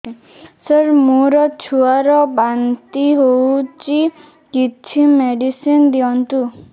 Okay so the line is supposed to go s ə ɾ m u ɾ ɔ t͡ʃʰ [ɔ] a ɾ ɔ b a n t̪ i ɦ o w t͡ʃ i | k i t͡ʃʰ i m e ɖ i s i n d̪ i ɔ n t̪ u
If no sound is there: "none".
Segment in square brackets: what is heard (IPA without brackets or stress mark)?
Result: u